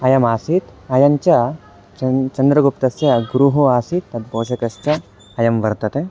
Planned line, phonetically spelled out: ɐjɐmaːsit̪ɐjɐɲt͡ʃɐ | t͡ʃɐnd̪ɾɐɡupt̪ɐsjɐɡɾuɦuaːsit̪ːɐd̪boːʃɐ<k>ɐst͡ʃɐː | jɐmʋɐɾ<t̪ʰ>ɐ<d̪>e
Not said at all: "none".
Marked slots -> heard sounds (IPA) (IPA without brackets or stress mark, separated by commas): k, t̪, t̪